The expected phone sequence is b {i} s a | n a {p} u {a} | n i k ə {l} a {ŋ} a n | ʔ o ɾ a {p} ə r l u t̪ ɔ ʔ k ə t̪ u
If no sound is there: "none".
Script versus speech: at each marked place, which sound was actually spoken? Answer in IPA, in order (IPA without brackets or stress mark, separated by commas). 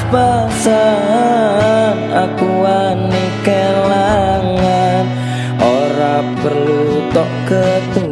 a, k, a, l, ŋ, p